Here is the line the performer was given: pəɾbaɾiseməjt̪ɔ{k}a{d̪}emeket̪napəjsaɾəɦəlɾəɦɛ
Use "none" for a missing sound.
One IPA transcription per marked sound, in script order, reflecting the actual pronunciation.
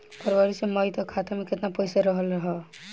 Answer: kʰ, t̪

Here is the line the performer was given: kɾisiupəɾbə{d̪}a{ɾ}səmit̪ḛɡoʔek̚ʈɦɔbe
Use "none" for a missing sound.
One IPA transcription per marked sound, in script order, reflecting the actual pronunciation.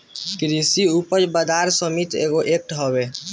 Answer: d̪, ɾ

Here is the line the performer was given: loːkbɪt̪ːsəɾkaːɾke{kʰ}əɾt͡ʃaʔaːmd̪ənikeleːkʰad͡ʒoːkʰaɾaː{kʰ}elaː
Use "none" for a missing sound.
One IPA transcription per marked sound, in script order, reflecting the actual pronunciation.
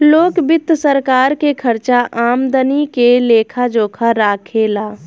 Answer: kʰ, kʰ

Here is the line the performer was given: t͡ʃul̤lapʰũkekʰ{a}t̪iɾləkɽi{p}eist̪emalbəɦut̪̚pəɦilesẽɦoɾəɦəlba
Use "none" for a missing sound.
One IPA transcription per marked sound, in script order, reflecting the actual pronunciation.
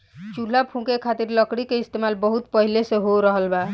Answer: a, k

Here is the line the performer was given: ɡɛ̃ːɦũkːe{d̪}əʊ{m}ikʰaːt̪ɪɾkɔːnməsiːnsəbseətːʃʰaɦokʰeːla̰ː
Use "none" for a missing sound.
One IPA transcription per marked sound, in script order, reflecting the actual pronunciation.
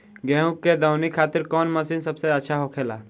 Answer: d̪, n

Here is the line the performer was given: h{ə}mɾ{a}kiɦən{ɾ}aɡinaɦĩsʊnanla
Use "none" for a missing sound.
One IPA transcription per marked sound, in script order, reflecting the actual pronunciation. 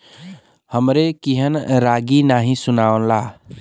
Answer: ə, e, ɾ

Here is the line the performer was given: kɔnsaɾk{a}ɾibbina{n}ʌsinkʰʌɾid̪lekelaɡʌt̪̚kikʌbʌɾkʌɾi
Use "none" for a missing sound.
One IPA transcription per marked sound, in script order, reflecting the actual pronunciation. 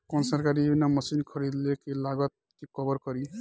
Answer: a, m

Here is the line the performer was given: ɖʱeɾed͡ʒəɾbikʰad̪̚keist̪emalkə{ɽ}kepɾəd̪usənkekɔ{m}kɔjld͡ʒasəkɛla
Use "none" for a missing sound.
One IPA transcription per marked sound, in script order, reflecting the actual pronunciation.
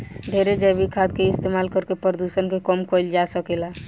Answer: ɾ, m

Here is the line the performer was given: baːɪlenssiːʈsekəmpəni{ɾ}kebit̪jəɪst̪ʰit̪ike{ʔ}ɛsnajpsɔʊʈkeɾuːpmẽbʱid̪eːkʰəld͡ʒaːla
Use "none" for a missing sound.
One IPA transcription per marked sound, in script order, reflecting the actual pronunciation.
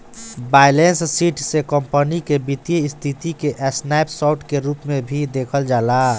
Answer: none, ʔ

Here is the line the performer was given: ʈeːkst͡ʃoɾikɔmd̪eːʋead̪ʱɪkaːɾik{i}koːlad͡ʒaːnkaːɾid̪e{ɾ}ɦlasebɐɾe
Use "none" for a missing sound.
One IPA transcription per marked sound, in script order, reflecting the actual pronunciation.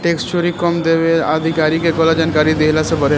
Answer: e, none

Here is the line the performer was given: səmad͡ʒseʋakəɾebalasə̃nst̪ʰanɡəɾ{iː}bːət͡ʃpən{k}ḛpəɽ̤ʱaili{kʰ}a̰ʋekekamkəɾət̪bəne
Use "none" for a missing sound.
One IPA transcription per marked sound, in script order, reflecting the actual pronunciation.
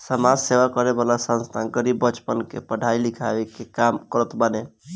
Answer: i, k, kʰ

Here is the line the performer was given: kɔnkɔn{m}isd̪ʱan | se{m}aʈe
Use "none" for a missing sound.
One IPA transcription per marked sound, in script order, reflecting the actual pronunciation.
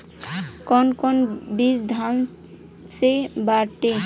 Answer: b, b

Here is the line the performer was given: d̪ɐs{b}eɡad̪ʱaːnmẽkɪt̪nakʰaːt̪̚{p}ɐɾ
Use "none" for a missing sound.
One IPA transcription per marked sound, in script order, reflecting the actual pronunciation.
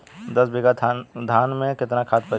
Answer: b, p

